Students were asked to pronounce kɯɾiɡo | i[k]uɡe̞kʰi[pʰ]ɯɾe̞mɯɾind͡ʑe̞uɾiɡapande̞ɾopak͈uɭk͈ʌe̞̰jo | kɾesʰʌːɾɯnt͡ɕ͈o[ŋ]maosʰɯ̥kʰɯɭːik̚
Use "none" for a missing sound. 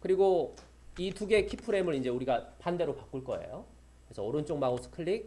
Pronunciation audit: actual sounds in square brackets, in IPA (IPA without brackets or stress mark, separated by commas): t, pʰ, ŋ